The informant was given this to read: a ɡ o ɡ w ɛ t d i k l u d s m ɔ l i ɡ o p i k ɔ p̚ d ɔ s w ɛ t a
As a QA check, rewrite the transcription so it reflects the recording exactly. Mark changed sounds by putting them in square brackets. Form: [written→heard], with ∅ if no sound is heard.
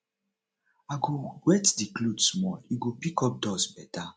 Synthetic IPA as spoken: a ɡ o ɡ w ɛ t d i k l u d s m ɔ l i ɡ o p i k ɔ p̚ d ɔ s [w→b] ɛ t a